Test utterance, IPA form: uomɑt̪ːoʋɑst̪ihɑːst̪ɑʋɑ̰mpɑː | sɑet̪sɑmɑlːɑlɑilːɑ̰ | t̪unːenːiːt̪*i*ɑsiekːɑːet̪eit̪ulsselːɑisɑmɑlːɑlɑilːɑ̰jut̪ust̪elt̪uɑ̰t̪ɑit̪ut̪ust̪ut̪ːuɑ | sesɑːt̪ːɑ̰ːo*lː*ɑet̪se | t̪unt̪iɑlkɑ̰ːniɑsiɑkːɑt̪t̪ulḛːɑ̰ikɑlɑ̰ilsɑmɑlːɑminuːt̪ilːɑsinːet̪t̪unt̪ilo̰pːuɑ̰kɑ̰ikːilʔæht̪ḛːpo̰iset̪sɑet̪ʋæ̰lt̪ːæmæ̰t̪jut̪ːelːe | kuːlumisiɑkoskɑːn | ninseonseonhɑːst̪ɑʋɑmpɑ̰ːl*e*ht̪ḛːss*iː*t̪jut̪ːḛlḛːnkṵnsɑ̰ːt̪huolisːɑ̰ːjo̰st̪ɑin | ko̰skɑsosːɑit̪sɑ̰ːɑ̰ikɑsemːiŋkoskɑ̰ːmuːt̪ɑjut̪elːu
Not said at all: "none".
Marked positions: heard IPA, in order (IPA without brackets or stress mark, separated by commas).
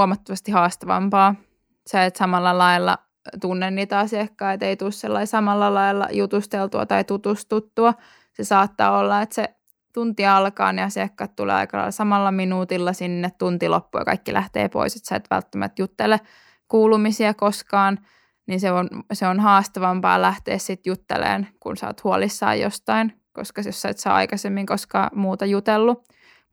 æ, lː, æ, i